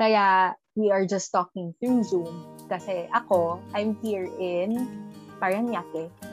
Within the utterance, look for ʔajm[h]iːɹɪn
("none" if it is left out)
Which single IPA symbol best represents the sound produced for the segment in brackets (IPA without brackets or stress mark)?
h